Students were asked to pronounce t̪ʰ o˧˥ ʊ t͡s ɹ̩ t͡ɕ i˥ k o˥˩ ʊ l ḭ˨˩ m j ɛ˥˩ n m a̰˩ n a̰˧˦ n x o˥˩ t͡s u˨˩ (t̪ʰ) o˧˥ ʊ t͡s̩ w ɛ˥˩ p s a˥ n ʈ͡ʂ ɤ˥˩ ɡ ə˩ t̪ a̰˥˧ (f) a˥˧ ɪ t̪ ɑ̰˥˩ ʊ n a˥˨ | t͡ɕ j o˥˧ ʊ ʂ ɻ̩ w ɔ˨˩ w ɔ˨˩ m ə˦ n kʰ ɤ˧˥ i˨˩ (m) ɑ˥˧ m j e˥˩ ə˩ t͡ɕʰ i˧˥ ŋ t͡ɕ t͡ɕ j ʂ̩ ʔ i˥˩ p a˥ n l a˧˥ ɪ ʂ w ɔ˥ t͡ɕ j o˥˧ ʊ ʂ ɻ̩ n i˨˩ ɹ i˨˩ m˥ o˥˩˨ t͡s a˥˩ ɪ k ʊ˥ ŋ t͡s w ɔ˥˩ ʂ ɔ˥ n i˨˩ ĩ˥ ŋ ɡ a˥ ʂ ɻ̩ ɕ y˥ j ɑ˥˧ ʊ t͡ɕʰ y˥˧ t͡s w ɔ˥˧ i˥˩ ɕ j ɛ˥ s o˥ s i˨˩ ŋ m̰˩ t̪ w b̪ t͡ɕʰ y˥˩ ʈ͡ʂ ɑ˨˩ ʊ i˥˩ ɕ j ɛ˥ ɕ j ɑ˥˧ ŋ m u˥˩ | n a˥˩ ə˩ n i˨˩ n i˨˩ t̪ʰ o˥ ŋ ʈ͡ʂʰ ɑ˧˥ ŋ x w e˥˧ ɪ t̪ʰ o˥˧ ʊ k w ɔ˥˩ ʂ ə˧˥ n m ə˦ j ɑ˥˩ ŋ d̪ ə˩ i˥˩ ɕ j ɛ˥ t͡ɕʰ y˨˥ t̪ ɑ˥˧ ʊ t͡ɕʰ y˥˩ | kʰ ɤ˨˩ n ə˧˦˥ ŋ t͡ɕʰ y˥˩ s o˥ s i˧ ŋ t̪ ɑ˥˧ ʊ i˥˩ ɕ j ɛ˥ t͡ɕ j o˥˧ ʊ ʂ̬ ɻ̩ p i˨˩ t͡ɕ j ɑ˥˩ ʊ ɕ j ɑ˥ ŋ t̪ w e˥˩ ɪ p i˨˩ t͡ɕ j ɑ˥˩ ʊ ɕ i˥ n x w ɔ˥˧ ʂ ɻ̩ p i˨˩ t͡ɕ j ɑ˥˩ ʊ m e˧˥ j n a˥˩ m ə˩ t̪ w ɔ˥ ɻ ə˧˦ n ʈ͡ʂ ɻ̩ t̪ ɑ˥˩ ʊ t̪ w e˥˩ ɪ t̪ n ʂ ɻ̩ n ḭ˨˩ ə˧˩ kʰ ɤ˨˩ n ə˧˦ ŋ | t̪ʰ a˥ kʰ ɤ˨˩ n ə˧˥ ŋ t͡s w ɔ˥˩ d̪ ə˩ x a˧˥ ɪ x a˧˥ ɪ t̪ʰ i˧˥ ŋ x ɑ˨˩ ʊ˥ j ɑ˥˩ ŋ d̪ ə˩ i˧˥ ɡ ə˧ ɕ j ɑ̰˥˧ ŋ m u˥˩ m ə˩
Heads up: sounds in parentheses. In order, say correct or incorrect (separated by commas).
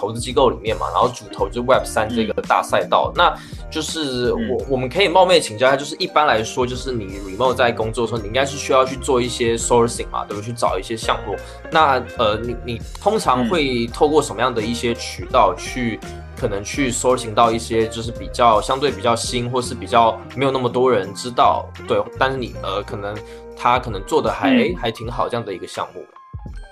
correct, incorrect, correct